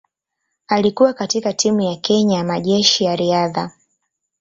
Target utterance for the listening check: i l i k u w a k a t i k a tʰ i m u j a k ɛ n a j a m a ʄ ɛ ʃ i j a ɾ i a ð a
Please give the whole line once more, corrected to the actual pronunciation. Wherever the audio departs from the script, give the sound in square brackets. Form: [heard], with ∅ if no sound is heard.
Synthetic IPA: [a] l i k u w a k a t i k a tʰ i m u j a k ɛ [ɲ] a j a m a ʄ ɛ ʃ i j a ɾ i a ð a